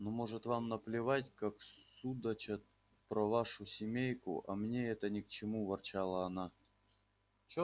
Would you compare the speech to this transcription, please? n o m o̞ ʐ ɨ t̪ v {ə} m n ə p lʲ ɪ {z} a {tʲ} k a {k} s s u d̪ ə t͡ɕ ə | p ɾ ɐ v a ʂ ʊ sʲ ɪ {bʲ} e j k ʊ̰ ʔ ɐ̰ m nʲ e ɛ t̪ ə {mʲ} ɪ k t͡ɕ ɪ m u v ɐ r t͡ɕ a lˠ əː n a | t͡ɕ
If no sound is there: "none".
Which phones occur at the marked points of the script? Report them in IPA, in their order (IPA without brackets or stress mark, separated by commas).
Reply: a, v, tʲ, k, mʲ, nʲ